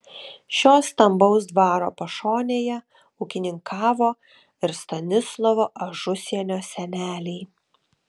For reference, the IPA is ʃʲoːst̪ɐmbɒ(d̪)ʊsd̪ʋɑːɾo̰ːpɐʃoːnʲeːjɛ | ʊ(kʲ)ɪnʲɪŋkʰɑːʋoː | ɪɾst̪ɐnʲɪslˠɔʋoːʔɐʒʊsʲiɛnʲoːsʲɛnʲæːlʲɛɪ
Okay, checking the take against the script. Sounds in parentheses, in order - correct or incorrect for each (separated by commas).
incorrect, correct